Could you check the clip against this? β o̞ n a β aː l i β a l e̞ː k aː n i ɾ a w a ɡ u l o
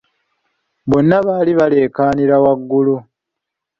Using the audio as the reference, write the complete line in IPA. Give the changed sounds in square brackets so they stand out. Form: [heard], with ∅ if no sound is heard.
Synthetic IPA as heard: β o̞ [nː] a β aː l i β a l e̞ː k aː n i ɾ a w a [ɡː] u l [u]